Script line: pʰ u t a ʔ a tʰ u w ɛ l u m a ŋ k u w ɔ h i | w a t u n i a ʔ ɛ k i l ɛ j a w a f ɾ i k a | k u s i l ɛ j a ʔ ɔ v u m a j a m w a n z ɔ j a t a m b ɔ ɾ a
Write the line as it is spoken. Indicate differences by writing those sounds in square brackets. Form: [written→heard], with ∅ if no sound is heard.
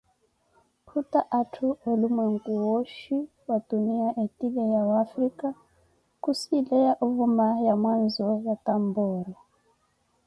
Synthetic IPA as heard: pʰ u t a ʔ a tʰ u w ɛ l u m a ŋ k u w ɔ [h→ʃ] i | w a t u n i a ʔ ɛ [k→t] i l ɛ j a w a f ɾ i k a | k u s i l ɛ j a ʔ [ɔ→u] v u m a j a m w a n z ɔ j a t a m b ɔ ɾ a